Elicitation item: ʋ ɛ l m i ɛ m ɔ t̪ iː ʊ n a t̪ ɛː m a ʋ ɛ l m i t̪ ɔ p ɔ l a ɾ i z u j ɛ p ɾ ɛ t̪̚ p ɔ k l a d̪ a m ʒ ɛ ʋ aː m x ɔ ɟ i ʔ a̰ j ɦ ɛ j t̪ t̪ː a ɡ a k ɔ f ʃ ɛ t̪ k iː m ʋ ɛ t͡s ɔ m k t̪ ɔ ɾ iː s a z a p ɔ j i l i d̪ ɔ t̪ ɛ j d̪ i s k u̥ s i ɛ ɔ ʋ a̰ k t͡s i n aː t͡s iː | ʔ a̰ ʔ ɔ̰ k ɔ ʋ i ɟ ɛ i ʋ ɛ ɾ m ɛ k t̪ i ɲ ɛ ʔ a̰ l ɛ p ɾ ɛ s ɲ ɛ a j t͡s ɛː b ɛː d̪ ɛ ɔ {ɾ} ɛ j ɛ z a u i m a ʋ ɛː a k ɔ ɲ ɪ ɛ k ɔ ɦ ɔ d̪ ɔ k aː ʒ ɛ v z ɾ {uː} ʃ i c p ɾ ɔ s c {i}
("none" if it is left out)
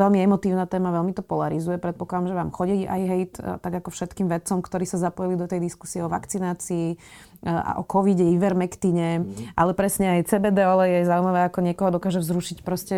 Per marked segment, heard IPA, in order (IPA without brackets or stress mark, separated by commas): l, u, ɛ